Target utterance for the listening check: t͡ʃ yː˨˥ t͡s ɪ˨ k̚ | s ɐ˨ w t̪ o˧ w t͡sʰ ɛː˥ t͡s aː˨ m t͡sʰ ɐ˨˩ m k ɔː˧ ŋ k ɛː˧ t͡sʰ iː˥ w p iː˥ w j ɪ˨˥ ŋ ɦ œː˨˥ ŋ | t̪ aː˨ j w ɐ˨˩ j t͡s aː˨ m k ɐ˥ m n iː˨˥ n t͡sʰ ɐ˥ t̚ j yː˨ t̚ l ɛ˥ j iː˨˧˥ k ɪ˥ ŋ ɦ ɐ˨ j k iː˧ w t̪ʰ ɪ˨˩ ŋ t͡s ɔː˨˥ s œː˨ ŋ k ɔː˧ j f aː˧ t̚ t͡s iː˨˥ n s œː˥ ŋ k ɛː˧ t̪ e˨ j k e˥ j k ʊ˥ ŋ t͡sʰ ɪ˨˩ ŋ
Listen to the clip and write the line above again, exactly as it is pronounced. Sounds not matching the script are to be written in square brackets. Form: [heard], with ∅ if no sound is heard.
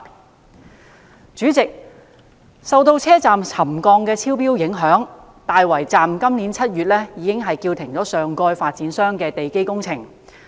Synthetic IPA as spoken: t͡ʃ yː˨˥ t͡s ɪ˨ k̚ | s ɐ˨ w t̪ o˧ w t͡sʰ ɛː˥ t͡s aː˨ m t͡sʰ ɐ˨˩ m k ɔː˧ ŋ k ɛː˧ t͡sʰ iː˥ w p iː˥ w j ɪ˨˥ ŋ ɦ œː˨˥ ŋ | t̪ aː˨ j w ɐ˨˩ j t͡s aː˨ m k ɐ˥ m n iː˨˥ n t͡sʰ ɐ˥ t̚ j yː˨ t̚ l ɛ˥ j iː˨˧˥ k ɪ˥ ŋ ɦ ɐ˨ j k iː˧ w t̪ʰ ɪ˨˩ ŋ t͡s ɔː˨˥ s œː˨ ŋ k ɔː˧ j f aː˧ t̚ t͡s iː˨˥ n s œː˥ ŋ k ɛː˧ t̪ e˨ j k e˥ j k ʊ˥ ŋ t͡sʰ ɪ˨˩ ŋ